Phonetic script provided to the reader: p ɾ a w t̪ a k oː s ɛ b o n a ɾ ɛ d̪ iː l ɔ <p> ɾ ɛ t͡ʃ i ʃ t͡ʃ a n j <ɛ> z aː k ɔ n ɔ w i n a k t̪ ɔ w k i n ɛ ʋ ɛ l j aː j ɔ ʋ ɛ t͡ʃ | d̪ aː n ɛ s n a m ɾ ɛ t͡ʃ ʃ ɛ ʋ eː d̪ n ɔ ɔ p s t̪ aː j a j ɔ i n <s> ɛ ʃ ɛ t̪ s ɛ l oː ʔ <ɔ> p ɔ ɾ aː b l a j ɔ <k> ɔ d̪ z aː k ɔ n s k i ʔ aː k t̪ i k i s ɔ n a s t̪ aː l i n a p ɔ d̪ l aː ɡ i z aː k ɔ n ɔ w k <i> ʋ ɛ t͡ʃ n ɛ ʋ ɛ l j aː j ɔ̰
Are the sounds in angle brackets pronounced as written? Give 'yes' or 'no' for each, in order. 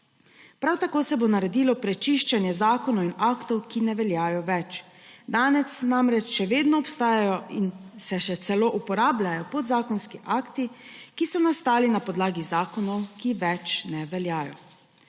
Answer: yes, yes, yes, no, no, yes

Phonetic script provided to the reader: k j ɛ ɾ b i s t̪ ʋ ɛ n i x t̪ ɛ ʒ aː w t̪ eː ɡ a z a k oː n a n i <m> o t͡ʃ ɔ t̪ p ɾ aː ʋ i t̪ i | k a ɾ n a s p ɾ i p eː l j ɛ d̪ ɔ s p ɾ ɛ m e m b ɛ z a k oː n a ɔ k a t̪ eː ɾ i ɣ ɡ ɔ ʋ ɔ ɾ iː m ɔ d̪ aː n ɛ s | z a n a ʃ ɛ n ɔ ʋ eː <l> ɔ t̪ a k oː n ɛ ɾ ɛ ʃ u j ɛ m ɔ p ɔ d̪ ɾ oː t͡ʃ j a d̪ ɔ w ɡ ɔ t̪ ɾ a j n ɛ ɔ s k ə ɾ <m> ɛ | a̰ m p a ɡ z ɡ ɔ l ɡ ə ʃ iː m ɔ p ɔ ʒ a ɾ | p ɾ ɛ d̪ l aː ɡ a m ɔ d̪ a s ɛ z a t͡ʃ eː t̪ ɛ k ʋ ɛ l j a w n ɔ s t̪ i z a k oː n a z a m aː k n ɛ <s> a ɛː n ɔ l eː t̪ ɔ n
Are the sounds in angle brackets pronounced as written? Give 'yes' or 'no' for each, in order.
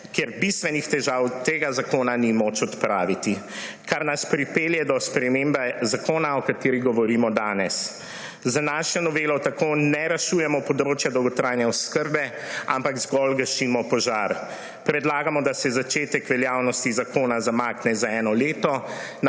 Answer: yes, yes, no, no

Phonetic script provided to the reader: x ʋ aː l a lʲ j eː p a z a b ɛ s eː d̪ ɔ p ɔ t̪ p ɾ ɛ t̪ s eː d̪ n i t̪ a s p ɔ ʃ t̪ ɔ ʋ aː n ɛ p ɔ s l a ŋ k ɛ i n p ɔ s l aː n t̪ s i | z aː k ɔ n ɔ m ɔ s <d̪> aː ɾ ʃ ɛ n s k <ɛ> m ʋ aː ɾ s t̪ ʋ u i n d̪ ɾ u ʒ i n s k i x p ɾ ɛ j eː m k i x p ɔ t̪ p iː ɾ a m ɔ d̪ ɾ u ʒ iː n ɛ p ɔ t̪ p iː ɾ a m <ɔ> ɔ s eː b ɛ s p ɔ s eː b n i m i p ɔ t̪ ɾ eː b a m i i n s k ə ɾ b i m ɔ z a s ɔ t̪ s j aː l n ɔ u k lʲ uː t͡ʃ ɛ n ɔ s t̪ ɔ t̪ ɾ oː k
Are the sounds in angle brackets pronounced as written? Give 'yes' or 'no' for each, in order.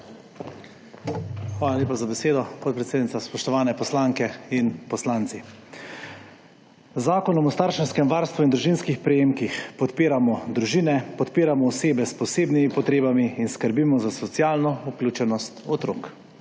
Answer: no, yes, yes

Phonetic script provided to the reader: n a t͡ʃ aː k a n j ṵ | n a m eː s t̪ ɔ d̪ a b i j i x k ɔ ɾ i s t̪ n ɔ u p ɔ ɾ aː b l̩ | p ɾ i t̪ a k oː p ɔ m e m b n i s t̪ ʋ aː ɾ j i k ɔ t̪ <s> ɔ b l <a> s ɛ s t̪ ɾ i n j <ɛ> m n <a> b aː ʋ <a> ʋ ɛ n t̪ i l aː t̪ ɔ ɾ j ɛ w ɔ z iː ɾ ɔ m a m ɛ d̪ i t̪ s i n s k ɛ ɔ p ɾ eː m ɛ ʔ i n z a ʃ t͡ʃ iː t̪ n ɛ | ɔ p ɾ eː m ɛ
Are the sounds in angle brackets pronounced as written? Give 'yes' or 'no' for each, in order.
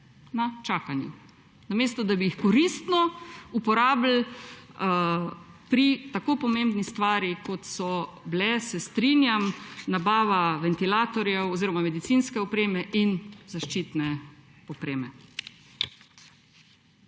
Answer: yes, no, no, yes, yes

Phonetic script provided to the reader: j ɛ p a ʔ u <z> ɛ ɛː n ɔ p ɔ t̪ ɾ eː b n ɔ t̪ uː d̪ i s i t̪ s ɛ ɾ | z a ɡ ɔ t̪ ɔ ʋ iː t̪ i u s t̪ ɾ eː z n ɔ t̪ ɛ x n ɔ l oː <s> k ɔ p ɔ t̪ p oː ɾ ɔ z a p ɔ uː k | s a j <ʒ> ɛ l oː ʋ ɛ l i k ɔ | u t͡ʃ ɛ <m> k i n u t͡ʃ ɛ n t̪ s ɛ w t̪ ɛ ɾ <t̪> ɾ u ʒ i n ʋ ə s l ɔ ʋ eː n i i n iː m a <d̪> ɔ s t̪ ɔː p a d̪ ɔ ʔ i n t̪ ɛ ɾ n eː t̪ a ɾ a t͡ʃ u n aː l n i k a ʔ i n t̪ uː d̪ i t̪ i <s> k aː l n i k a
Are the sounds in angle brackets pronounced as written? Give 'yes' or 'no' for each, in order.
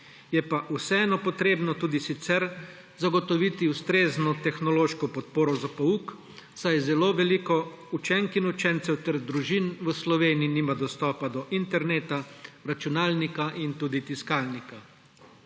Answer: no, no, no, no, no, yes, yes

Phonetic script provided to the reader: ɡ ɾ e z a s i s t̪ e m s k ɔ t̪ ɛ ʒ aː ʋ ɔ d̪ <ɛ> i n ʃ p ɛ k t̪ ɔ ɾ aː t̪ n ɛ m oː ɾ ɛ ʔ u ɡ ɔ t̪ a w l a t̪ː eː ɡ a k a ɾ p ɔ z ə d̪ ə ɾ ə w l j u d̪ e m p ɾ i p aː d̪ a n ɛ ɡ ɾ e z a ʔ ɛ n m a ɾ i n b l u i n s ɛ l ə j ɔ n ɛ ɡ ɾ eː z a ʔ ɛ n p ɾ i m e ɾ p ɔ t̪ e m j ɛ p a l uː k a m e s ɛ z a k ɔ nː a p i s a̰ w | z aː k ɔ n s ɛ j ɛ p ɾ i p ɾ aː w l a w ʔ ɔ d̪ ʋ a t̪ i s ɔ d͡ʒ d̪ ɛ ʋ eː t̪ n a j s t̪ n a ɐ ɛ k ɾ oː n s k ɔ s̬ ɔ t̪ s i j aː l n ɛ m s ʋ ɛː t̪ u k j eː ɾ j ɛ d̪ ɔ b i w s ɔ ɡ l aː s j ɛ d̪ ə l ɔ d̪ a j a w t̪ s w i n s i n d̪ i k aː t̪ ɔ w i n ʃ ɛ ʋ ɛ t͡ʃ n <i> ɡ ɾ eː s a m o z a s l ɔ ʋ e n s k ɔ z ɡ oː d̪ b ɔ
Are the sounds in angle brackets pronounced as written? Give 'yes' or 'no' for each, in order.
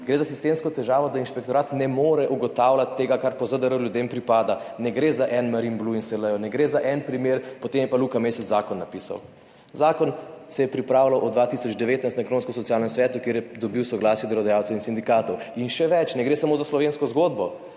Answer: no, no

